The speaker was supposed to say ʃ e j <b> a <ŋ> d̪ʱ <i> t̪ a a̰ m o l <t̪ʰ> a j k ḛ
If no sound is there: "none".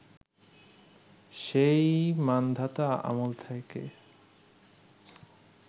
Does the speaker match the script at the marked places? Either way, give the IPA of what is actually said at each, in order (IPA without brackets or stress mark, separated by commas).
m, n, a, t̪ʰ